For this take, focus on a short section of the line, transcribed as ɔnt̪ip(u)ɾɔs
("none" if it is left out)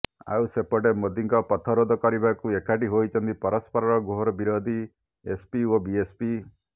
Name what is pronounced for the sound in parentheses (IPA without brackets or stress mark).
ɔ